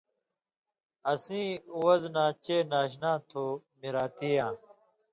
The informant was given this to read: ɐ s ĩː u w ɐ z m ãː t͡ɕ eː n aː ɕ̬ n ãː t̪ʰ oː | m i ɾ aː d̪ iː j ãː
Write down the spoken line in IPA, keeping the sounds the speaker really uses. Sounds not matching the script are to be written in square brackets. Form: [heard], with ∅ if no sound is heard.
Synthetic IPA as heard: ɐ s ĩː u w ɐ z [n] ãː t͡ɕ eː n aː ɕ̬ n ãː t̪ʰ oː | m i ɾ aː [t̪] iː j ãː